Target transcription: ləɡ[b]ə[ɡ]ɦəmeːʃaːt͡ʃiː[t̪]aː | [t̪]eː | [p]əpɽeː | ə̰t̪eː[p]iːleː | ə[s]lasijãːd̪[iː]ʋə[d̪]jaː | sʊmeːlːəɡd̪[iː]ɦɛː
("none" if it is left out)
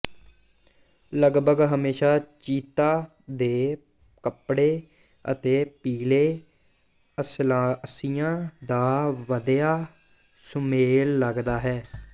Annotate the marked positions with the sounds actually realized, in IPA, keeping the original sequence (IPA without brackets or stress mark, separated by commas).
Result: b, ɡ, t̪, d̪, k, p, s, aː, d̪, aː